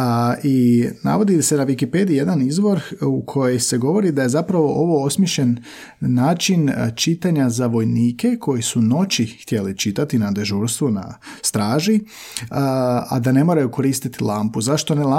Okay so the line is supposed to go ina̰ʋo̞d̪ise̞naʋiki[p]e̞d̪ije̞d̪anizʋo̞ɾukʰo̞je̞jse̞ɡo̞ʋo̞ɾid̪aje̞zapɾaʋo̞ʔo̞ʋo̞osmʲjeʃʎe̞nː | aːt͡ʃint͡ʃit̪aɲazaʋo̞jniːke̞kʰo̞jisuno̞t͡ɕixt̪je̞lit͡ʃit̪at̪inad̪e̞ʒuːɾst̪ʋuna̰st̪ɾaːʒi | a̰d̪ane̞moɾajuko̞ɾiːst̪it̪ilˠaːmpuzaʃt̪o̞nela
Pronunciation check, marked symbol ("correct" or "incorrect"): correct